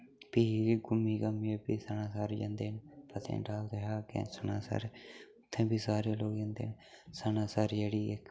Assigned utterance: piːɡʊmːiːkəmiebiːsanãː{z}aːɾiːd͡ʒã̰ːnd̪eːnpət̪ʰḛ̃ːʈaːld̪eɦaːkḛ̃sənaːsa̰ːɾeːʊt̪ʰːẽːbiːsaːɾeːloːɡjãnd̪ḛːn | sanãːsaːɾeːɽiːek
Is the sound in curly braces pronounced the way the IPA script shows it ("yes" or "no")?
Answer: no